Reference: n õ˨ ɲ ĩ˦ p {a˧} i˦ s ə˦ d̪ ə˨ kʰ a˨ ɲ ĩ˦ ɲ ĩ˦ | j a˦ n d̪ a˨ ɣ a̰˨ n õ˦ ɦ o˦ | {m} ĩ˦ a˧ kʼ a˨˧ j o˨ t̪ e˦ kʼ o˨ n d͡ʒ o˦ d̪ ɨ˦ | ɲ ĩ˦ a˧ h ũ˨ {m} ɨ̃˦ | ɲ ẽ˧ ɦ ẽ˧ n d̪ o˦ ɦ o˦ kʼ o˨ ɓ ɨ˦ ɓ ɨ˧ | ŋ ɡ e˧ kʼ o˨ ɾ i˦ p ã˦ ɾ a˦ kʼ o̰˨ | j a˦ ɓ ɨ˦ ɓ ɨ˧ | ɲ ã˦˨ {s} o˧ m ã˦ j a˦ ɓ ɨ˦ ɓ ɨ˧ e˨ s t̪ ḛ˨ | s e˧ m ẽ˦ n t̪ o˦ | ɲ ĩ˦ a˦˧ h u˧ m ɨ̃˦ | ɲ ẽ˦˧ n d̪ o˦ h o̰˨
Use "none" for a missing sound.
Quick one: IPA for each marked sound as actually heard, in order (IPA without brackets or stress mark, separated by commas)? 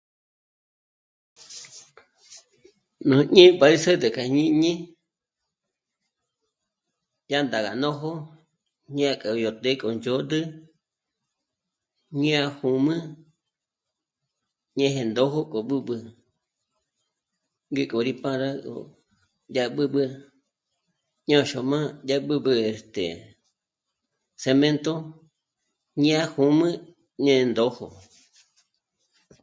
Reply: a˧, ɲ, m, ʃ